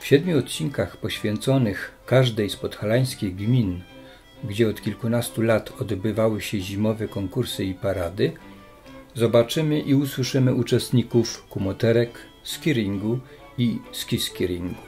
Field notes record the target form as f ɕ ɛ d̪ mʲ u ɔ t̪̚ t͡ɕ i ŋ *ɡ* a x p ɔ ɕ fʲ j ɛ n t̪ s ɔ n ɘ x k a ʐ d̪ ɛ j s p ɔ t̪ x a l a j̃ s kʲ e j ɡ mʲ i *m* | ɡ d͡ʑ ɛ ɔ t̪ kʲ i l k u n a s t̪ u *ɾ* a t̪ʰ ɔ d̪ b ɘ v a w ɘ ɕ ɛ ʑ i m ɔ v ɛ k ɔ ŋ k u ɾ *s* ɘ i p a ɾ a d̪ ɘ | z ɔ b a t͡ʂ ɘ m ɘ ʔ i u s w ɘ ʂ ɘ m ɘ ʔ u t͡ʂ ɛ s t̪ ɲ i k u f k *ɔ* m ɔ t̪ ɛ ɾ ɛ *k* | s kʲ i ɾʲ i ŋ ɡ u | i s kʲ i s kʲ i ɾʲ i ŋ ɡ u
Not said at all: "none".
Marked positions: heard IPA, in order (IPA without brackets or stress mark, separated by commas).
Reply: k, n, l, s, u, k